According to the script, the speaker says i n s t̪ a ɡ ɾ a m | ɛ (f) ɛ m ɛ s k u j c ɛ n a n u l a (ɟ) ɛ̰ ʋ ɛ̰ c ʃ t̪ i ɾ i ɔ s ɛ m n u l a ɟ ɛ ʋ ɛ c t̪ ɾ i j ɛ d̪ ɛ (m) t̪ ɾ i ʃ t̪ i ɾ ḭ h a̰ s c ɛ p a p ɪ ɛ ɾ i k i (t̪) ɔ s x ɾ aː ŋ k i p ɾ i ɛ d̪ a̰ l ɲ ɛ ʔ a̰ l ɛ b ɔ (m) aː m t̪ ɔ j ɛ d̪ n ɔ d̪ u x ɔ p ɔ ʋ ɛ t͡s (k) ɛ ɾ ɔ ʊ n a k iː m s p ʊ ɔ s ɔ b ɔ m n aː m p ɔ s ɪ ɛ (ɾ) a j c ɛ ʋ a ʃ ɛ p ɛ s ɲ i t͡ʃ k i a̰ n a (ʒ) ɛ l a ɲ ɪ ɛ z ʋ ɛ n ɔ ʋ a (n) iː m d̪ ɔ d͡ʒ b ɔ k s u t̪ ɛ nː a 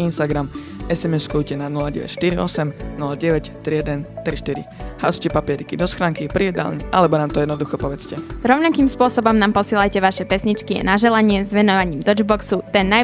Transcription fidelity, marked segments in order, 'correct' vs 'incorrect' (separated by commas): incorrect, correct, incorrect, incorrect, incorrect, incorrect, incorrect, correct, incorrect